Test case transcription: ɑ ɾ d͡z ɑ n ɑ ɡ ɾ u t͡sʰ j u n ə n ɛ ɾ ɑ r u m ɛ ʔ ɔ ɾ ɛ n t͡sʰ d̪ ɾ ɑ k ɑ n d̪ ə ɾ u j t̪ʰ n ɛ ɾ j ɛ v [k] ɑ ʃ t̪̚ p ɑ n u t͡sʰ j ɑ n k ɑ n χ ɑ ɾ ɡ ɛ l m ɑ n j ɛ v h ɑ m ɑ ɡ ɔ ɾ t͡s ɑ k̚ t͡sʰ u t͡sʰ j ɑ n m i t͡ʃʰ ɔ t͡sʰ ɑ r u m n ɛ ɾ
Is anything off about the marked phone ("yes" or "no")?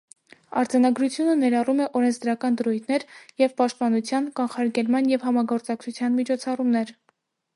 yes